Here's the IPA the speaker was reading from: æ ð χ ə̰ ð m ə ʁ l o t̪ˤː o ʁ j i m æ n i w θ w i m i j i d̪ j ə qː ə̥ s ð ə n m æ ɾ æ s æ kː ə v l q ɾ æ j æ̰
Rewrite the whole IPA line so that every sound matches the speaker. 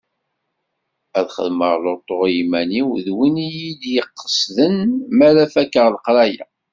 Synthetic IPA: æ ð χ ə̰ ð m ə ʁ l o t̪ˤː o ʁ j i m æ n i w ð w i n i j i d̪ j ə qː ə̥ s ð ə n m æ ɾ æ f æ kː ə ʁ l q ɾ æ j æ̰

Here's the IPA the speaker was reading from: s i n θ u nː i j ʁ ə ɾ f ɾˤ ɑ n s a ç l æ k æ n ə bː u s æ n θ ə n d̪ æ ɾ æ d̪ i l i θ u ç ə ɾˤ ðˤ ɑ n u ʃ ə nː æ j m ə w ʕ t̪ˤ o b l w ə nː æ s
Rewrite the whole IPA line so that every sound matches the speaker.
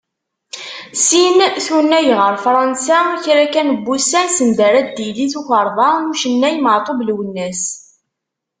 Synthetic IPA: s i n θ u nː æ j ʁ ə ɾ f ɾˤ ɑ n s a ç ɾ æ k æ n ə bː u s æ n s ə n d̪ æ ɾ æ d̪ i l i θ u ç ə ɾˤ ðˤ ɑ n u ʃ ə nː æ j m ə ʕ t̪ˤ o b l w ə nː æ s

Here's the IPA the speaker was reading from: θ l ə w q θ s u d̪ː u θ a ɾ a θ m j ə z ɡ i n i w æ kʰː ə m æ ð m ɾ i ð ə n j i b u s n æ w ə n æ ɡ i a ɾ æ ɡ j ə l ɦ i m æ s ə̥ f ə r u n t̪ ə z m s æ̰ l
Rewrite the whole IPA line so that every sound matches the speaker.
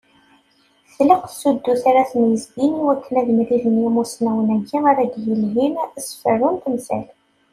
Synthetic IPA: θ l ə q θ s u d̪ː u θ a ɾ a θ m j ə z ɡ i n i w æ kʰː ə n æ ð m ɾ i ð ə n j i m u s n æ w ə n æ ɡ i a ɾ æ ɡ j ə l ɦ i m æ s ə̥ f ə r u n t̪ ə m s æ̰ l

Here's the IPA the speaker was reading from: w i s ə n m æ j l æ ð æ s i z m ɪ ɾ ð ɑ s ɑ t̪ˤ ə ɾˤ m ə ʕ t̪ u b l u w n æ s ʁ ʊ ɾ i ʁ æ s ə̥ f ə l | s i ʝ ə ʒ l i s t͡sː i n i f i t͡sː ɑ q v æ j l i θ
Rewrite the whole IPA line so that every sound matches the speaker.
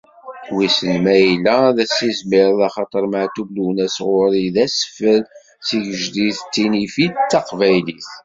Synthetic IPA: w i s ə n m æ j l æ ð æ s i z m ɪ ɾ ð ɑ χ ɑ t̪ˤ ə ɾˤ m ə ʕ t̪ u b l u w n æ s ʁ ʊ ɾ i ð æ s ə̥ f ə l | s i ʝ ə ʒ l i θ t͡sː i n i f i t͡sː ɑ q v æ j l i θ

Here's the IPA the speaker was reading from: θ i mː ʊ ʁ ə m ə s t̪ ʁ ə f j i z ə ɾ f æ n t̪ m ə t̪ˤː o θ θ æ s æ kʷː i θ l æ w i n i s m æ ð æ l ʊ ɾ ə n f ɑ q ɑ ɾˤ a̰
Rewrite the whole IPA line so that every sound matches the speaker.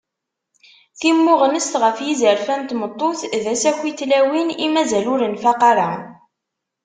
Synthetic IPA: θ i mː ʊ ʁ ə n ə s t̪ ʁ ə f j i z ə ɾ f æ n t̪ m ə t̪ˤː o θ ð æ s æ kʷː i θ l æ w i n i m æ z æ l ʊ ɾ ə n f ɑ q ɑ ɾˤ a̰

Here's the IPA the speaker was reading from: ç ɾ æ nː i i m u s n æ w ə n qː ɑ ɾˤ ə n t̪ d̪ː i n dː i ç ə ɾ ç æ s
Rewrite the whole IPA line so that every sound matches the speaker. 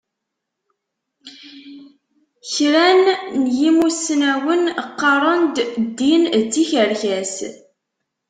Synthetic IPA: ç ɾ æ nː j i m u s n æ w ə n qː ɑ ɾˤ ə n d̪ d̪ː i n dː i ç ə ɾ ç æ s

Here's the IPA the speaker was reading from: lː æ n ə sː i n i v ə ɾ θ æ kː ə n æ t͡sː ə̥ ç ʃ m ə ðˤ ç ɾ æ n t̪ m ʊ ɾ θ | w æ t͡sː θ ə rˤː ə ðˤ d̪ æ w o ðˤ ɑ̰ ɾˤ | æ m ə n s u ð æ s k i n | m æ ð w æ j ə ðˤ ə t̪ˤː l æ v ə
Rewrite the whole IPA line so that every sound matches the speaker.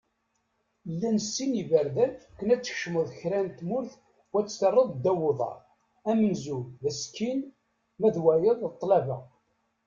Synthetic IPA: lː æ n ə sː i n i v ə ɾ ð æ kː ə n æ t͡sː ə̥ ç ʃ m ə ðˤ ç ɾ æ n t̪ m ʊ ɾ θ | w æ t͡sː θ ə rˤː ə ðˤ d̪ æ w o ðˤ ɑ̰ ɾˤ | æ m ə n z u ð æ s k i n | m æ ð w æ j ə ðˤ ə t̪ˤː l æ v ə

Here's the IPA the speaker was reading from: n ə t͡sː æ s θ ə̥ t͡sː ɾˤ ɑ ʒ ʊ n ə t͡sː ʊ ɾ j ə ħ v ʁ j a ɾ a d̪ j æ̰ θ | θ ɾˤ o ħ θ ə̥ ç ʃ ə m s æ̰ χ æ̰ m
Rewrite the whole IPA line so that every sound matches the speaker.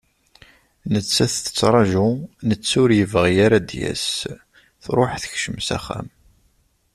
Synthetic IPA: n ə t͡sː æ θ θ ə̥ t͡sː ɾˤ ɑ ʒ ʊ n ə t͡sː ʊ ɾ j ə v ʁ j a ɾ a d̪ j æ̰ s | θ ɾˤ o ħ θ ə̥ ç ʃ ə m s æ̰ χ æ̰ m

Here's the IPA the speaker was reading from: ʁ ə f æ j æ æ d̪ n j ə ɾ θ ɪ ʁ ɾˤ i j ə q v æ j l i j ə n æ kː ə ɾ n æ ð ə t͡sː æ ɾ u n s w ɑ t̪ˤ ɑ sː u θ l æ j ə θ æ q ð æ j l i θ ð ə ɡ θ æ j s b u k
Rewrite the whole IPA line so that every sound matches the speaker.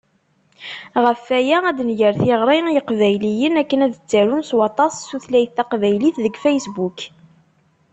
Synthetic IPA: ʁ ə f æ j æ æ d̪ n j ə ɾ θ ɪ ʁ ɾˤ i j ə q v æ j l i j ə n æ kː ə n æ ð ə t͡sː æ ɾ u n s w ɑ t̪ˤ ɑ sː u θ l æ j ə θ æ q v æ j l i θ ð ə ɡ f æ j s b u k

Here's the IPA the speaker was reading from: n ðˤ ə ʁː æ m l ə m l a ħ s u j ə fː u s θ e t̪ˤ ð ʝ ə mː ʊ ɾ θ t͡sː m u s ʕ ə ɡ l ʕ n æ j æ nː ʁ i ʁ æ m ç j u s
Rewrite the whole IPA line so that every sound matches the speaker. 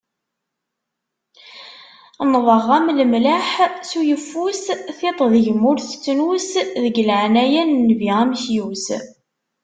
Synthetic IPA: n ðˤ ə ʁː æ m l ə m l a ħ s u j ə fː u s θ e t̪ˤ ð ʝ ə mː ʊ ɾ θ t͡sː n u s ð ə ɡ l ʕ n æ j æ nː v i ʁ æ m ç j u s

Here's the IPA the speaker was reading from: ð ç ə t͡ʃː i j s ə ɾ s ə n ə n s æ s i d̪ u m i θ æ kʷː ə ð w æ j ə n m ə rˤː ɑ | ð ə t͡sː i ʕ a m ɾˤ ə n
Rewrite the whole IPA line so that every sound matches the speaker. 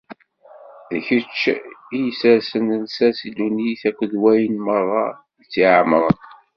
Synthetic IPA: ð ç ə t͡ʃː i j s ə ɾ s ə n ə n s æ s i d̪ u n i θ æ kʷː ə ð w æ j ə n m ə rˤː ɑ | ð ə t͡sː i ʕ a m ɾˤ ə n

